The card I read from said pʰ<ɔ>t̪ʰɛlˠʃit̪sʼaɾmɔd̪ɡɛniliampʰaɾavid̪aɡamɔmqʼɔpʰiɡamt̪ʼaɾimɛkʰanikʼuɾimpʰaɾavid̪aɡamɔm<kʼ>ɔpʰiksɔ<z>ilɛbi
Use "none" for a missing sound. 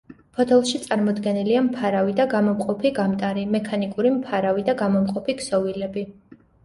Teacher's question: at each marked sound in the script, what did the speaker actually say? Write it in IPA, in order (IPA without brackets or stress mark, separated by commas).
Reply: ɔ, qʼ, v